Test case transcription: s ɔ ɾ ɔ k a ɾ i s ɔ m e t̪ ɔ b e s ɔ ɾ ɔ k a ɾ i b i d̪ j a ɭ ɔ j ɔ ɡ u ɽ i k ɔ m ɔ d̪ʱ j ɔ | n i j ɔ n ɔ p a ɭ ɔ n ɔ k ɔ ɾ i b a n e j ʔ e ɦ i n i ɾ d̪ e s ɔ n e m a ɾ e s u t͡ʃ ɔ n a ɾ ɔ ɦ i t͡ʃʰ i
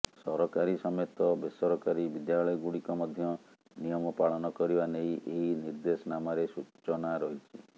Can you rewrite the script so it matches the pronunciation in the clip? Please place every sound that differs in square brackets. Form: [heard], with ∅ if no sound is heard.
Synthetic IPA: s ɔ ɾ ɔ k a ɾ i s ɔ m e t̪ ɔ b e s ɔ ɾ ɔ k a ɾ i b i d̪ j a ɭ ɔ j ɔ ɡ u ɽ i k ɔ m ɔ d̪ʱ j ɔ | n i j ɔ [m] ɔ p a ɭ ɔ n ɔ k ɔ ɾ i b a n e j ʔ e ɦ i n i ɾ d̪ e s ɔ n [a] m a ɾ e s u t͡ʃ ɔ n a ɾ ɔ ɦ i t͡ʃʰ i